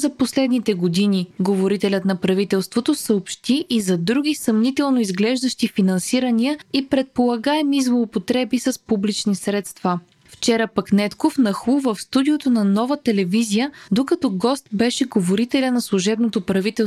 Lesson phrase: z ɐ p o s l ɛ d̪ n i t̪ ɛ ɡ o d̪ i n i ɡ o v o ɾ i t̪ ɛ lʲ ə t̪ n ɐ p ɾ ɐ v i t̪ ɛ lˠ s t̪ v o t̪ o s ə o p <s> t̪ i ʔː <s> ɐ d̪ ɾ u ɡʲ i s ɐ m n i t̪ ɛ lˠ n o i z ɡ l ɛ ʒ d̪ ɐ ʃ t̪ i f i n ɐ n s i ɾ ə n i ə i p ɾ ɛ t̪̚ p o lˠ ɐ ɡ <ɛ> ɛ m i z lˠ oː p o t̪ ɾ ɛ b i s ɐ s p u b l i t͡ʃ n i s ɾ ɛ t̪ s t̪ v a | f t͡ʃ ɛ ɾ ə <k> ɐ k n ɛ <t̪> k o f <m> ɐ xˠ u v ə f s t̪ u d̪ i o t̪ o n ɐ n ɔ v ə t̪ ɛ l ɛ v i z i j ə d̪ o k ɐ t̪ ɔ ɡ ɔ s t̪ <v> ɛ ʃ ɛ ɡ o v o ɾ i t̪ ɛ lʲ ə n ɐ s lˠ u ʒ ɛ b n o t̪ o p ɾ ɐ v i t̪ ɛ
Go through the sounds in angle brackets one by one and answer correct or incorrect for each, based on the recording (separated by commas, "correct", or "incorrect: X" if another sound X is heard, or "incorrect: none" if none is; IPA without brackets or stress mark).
incorrect: ʃ, incorrect: z, incorrect: a, incorrect: p, correct, incorrect: n, incorrect: b